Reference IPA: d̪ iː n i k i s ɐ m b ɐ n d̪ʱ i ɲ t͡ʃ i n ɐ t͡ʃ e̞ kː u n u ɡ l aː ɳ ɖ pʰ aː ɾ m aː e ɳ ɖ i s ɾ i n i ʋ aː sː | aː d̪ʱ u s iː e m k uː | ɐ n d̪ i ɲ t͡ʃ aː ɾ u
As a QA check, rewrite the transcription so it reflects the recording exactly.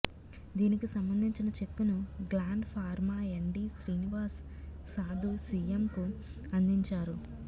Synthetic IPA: d̪ iː n i k i s ɐ m b ɐ n d̪ʱ i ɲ t͡ʃ i n ɐ t͡ʃ e̞ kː u n u ɡ l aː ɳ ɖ pʰ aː ɾ m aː e ɳ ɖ i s ɾ iː n i ʋ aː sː | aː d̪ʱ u s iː e m k u | ɐ n d̪ i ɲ t͡ʃ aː ɾ u